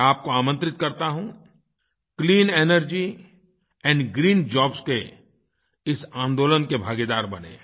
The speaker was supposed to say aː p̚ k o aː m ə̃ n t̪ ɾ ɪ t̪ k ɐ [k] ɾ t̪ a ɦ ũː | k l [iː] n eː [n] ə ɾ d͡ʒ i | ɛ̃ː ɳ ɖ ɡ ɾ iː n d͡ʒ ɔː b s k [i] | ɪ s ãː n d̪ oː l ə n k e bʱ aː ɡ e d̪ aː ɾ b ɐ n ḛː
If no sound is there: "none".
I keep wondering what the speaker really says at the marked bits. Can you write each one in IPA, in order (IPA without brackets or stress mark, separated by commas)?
none, iː, n, e